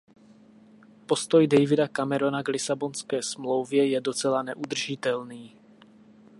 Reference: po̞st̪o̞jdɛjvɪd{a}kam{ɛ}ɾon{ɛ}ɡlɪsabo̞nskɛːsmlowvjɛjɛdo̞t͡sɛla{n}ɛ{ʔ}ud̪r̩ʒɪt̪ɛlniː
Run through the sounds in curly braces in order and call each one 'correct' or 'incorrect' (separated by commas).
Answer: correct, correct, incorrect, correct, correct